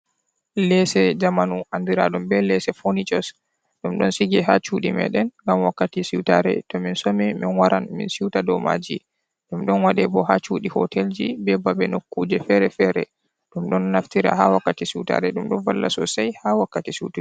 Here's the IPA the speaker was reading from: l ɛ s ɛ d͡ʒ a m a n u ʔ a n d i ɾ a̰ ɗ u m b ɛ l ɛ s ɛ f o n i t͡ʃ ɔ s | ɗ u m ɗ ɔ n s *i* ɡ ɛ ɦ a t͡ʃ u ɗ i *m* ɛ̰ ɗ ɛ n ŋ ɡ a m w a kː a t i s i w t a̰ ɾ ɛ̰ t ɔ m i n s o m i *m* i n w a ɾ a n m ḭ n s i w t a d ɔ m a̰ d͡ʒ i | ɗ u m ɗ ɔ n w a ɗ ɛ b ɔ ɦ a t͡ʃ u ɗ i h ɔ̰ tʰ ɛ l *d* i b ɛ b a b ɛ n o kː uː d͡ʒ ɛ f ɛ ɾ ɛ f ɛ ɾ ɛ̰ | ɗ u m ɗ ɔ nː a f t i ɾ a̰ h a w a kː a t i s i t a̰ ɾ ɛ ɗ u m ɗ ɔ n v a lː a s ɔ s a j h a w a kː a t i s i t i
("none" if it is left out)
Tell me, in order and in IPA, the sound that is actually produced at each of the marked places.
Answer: i, m, m, d͡ʒ

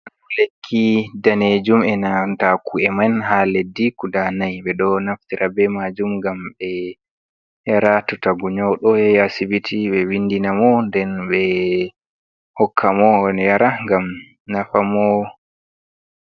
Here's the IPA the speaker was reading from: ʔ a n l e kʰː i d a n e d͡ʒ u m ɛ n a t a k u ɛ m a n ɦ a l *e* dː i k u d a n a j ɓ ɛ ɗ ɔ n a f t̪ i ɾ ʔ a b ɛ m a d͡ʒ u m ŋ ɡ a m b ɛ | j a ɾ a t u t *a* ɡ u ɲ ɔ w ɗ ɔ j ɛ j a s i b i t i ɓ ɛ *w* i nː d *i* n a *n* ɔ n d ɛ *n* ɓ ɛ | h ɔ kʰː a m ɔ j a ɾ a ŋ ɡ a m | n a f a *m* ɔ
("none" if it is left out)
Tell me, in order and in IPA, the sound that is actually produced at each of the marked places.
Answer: e, a, w, i, m, n, m

